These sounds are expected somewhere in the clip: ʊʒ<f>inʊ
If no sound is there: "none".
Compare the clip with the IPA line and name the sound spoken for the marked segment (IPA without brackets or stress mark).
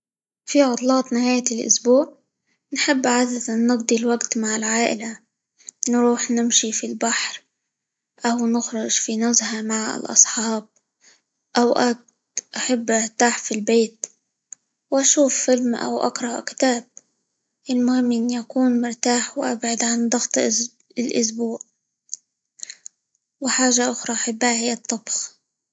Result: f